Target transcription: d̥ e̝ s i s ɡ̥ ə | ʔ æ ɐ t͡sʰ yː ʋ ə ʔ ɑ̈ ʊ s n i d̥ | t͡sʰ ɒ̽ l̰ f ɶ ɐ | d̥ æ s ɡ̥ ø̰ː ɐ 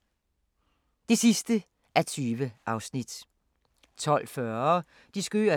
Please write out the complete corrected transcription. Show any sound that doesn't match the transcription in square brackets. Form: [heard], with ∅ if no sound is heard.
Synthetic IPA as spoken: d̥ e̝ s i s [d̥] ə | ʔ æ ɐ t͡sʰ yː ʋ ə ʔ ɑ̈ ʊ s n i d̥ | t͡sʰ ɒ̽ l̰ f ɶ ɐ | d̥ [i] s ɡ̥ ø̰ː ɐ